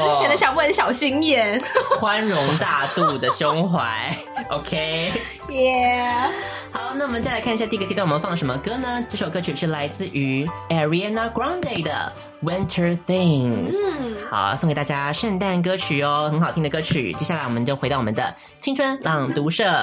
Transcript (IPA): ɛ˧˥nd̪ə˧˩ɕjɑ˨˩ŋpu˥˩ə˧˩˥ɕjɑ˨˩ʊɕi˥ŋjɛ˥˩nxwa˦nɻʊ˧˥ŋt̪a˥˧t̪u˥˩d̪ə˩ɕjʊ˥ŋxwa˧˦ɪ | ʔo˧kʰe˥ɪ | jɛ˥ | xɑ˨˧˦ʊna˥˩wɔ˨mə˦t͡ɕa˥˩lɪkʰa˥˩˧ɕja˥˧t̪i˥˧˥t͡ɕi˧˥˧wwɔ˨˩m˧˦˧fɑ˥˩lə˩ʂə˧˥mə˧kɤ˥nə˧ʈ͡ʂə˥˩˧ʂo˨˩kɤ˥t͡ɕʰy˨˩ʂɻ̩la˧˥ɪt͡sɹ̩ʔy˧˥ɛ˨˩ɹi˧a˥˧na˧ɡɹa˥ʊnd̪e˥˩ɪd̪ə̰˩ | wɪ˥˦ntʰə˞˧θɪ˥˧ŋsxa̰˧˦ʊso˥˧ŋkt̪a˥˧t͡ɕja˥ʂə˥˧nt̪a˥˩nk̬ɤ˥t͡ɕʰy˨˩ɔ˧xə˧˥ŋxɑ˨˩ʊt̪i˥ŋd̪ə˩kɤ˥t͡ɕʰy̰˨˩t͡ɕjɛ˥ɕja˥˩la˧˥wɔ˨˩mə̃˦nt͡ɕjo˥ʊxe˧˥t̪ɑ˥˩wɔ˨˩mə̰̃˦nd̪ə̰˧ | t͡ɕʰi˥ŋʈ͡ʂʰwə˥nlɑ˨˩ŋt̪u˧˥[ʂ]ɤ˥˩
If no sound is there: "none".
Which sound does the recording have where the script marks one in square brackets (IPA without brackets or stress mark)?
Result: ʂ